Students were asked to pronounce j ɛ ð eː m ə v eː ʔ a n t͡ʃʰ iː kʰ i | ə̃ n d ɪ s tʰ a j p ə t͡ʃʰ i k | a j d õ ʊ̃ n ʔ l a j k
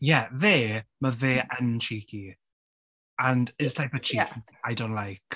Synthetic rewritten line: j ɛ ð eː m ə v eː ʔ ə n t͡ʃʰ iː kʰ i | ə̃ n d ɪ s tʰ a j p ə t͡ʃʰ i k | a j d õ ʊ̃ n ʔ l a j k